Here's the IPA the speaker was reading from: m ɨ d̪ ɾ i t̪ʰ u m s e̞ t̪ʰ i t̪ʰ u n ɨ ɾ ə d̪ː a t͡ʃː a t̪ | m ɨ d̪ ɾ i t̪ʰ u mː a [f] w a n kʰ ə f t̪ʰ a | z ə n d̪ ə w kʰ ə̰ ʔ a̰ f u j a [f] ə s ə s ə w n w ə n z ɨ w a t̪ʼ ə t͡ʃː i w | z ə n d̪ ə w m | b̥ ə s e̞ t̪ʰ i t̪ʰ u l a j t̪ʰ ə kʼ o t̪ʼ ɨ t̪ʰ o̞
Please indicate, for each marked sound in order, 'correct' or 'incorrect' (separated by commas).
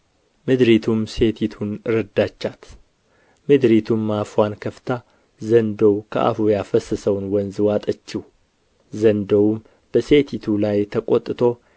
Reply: correct, correct